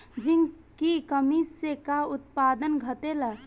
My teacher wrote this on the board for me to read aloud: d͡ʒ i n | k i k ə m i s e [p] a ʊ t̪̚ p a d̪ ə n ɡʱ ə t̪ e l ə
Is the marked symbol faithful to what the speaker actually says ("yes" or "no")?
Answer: no